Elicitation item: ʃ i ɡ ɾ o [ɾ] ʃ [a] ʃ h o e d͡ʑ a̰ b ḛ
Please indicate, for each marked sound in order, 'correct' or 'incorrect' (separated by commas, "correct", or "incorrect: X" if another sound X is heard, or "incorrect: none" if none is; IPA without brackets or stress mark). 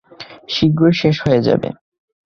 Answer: correct, incorrect: e